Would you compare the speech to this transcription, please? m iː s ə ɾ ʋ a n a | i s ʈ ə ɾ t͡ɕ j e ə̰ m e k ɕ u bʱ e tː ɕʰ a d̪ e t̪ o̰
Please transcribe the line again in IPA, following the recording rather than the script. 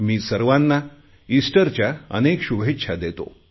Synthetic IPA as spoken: m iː s ə ɾ ʋ a nː a | i s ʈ ə ɾ t͡ɕ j a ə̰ n e k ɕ u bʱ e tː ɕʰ a d̪ e t̪ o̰